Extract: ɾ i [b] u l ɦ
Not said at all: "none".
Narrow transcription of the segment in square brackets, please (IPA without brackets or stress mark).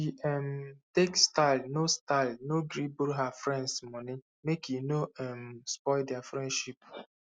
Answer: b